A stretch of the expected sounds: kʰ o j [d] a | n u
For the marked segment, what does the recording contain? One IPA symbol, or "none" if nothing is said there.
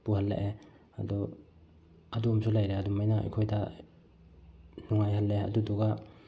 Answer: d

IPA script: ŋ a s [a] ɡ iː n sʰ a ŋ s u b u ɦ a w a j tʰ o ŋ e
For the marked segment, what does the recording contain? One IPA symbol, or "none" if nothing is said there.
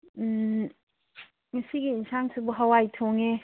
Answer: i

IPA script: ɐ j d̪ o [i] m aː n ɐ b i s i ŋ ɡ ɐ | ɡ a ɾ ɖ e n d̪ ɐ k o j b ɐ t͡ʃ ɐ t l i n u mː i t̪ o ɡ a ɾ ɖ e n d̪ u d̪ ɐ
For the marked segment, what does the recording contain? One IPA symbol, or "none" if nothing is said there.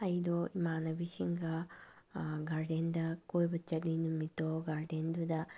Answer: i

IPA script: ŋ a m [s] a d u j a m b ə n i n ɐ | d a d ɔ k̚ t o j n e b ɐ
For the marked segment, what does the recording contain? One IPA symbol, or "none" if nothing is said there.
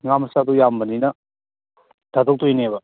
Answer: s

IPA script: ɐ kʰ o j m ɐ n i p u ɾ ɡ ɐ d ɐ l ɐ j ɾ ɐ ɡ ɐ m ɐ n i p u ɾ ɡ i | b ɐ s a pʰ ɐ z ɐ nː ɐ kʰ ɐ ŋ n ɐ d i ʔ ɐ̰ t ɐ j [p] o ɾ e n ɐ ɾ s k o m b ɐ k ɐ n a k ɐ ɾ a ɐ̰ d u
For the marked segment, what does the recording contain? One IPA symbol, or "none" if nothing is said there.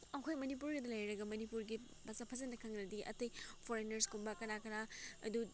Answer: pʰ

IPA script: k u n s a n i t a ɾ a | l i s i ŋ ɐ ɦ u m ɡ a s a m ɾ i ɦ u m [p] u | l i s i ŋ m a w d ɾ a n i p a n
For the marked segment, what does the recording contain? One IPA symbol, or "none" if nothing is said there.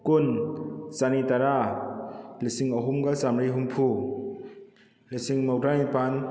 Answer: pʰ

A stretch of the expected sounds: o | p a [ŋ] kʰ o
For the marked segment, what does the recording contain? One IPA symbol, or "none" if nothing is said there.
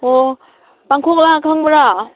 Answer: ŋ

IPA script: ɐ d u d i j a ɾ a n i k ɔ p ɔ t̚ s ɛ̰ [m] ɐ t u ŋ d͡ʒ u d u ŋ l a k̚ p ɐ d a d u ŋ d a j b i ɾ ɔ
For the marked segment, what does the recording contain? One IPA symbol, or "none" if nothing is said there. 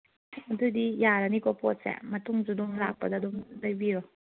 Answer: m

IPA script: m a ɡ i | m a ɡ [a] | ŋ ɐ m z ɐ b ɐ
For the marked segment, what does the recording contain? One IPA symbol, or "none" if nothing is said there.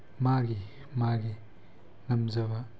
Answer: i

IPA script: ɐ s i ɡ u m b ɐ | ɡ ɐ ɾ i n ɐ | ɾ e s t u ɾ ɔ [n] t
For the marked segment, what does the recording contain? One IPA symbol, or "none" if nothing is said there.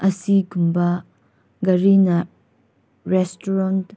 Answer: n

